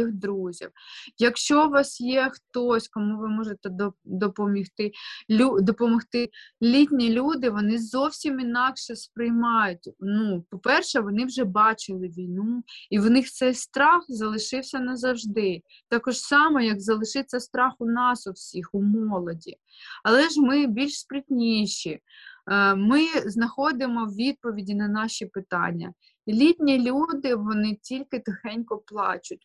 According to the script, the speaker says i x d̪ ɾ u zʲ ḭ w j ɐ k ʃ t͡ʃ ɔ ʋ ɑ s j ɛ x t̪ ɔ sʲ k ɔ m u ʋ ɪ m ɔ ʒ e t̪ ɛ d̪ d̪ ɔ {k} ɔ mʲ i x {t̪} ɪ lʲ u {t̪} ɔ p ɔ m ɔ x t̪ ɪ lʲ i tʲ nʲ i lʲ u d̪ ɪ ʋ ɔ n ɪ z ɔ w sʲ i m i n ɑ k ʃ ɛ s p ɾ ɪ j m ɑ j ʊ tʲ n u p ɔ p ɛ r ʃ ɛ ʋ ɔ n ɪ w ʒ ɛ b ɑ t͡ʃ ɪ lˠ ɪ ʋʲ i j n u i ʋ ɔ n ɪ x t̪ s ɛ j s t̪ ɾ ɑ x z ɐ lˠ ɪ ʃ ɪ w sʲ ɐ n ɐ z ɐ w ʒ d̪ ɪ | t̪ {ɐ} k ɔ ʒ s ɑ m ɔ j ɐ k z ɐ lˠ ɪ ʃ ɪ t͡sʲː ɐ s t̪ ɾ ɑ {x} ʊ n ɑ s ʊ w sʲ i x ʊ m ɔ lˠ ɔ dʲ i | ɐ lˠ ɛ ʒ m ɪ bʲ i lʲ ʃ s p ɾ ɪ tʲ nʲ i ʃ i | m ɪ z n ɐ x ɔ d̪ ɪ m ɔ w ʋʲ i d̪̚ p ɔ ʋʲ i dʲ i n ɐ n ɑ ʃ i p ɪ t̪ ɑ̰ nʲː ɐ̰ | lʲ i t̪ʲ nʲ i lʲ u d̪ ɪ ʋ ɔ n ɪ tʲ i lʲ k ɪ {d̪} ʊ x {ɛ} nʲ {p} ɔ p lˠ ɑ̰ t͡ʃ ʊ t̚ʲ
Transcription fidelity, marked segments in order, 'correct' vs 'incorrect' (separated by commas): incorrect, correct, incorrect, incorrect, correct, incorrect, correct, incorrect